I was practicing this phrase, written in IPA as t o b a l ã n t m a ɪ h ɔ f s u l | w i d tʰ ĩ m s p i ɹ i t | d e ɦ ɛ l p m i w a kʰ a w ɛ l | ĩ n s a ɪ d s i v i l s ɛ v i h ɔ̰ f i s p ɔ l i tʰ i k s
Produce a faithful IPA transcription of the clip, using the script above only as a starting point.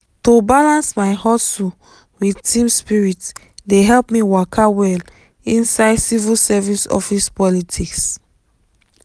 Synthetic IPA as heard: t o b a l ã n s m a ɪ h ɔ s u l | w i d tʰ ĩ m s p i ɹ i t | d e ɦ ɛ l p m i w a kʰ a w ɛ l | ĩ n s a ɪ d s i v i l s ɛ v i s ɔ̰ f i s p ɔ l i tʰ i k s